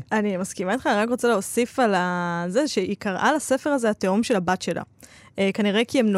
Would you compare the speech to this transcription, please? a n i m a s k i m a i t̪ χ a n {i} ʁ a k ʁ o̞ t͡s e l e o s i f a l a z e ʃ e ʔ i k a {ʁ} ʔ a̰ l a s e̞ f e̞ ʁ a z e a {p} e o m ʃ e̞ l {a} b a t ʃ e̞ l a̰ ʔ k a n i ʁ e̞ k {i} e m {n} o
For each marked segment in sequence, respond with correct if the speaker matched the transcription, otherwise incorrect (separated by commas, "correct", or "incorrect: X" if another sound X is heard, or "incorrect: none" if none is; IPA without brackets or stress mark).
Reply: correct, correct, incorrect: t, correct, correct, correct